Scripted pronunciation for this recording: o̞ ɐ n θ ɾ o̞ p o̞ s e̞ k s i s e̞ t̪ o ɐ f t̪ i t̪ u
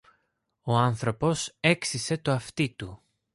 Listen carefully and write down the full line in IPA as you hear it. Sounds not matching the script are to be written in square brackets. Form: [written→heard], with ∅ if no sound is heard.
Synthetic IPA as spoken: o̞ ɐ n θ ɾ o̞ p o̞ s e̞ k s i s e̞ t̪ o ɐ f t̪ i t̪ u